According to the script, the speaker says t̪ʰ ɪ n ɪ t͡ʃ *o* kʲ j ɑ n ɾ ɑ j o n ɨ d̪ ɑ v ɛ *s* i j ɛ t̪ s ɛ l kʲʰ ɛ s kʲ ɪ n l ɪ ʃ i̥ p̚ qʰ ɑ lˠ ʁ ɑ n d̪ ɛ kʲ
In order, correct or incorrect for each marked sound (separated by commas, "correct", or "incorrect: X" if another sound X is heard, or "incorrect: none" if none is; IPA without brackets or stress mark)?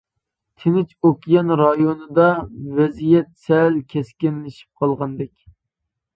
correct, incorrect: z